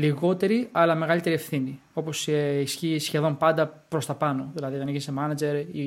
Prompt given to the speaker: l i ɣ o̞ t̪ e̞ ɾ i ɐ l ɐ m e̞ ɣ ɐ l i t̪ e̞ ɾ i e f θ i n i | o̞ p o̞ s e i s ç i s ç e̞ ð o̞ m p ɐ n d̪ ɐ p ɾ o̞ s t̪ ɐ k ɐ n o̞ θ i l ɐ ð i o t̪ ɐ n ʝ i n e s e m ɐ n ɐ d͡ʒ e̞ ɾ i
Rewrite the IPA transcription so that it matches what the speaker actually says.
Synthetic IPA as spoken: l i ɣ o̞ t̪ e̞ ɾ i ɐ l ɐ m e̞ ɣ ɐ l i t̪ e̞ ɾ i e f θ i n i | o̞ p o̞ s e i s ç i s ç e̞ ð o̞ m p ɐ n d̪ ɐ p ɾ o̞ s t̪ ɐ p ɐ n o̞ ð i l ɐ ð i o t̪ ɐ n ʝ i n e s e m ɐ n ɐ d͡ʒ e̞ ɾ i